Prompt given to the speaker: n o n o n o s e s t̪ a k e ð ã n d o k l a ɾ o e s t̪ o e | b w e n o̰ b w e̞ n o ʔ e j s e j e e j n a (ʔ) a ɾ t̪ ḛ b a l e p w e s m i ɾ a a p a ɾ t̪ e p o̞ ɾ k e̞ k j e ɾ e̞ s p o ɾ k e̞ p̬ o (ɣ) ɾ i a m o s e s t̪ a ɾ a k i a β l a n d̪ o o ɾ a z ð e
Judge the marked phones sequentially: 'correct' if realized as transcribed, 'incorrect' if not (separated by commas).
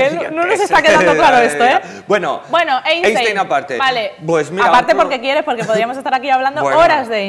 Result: incorrect, incorrect